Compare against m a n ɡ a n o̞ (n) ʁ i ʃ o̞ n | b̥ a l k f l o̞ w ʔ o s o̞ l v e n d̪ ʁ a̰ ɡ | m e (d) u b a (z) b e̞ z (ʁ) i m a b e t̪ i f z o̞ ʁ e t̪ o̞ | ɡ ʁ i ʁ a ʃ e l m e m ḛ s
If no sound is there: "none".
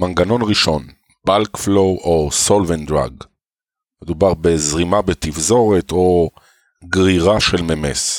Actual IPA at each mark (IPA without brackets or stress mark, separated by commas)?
n, d, ʁ, ʁ